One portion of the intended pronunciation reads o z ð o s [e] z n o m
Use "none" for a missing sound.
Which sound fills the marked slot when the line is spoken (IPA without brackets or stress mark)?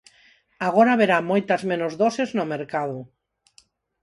e